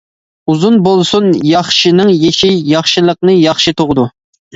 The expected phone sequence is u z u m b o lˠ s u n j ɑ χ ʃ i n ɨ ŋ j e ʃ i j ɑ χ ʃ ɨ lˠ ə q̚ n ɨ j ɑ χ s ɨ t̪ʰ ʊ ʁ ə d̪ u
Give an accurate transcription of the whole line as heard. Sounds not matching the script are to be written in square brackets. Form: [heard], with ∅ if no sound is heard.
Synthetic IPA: u z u [n] b o lˠ s u n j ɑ χ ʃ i n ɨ ŋ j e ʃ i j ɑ χ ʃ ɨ lˠ ə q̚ n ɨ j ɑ χ [ʃ] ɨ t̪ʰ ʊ ʁ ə d̪ u